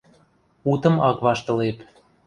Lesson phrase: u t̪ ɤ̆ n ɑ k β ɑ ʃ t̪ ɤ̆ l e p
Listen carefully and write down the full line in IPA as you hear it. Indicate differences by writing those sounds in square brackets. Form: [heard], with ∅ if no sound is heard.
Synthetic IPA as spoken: u t̪ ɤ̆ [m] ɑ k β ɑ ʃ t̪ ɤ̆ l e p